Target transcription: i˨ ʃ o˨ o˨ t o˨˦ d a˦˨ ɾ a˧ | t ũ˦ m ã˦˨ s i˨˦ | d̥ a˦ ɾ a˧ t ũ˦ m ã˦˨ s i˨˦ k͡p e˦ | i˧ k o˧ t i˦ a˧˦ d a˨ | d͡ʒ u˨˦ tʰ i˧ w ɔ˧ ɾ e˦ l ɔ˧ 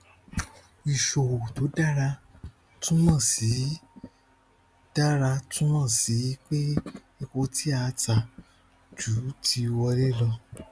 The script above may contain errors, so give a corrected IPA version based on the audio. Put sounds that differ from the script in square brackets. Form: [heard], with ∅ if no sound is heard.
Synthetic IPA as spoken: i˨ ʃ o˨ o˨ t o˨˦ d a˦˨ ɾ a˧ | t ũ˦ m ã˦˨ s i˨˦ | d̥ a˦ ɾ a˧ t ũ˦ m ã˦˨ s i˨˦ k͡p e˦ | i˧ k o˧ t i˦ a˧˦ [t] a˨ | d͡ʒ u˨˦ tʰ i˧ w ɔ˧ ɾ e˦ l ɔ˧